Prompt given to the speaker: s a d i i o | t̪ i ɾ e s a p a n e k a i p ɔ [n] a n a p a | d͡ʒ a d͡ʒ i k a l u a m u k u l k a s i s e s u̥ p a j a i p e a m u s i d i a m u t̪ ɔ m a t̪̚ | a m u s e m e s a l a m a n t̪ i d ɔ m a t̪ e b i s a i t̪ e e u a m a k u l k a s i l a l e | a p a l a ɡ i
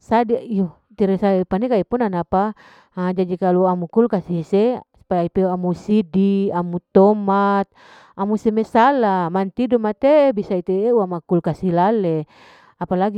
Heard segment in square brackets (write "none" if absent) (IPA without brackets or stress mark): n